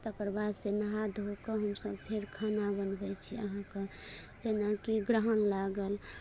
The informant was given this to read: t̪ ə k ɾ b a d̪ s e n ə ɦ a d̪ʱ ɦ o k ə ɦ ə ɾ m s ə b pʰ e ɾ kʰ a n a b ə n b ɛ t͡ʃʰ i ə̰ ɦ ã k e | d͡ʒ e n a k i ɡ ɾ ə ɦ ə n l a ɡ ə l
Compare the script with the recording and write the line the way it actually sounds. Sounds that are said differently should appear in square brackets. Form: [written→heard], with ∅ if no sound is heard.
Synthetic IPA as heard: t̪ ə k ɾ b a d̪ s e n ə ɦ a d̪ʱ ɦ o k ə ɦ ə [ɾ→∅] m s ə b pʰ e ɾ kʰ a n a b ə n b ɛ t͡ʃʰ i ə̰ ɦ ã k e | d͡ʒ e n a k i ɡ ɾ ə ɦ ə n l a ɡ ə l